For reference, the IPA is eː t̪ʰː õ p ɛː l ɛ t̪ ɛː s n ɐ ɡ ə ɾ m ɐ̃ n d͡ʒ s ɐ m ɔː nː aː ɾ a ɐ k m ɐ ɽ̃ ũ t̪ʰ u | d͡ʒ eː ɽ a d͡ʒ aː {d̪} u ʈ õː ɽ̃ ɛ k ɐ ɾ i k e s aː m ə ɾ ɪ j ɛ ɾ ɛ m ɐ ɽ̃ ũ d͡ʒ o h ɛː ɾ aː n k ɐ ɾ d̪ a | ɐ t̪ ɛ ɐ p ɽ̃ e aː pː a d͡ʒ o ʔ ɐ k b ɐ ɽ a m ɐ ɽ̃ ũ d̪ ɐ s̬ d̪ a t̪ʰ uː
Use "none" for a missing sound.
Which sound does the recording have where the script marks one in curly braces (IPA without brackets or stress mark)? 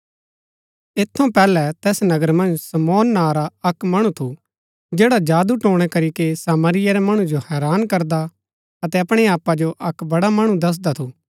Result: d̪